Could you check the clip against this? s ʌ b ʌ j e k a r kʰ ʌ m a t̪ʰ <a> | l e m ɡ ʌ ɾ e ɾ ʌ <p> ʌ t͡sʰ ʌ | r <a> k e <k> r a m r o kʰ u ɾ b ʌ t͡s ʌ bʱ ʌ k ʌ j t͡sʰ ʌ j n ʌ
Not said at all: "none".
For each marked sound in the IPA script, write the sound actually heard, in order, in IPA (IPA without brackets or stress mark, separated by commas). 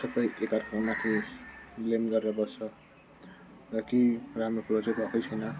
i, b, ʌ, none